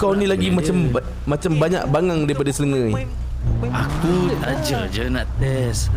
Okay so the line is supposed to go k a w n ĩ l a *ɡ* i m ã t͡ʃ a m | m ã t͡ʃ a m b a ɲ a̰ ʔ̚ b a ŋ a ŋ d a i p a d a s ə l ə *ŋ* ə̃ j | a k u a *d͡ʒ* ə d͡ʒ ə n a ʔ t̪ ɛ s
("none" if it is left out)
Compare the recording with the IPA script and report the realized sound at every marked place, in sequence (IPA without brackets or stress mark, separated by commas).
ɡ, ŋ, d͡ʒ